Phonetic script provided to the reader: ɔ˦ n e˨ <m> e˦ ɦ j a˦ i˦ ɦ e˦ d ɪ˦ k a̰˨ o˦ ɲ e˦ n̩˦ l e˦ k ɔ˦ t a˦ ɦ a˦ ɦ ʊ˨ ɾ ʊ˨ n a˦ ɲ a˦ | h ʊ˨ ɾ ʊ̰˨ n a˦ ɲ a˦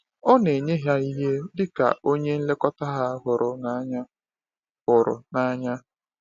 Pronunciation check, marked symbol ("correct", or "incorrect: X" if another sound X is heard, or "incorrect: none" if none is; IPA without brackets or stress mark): incorrect: ɲ